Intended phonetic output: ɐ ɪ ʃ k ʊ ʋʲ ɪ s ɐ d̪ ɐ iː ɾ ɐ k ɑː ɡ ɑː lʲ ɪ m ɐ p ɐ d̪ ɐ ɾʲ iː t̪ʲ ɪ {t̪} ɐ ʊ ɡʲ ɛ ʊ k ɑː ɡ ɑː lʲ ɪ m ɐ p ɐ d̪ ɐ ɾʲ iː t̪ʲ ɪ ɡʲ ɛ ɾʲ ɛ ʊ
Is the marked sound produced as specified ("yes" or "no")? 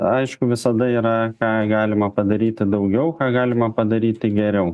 no